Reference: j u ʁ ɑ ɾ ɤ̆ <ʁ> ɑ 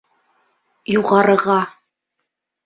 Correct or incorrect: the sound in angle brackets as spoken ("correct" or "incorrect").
correct